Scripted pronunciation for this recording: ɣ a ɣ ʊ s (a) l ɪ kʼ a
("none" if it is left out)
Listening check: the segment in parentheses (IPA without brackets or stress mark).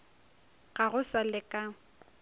a